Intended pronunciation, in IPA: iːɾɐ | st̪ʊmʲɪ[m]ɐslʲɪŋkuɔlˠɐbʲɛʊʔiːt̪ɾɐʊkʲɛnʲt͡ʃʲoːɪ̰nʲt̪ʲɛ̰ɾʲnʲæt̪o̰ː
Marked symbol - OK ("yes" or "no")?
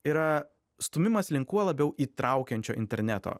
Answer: yes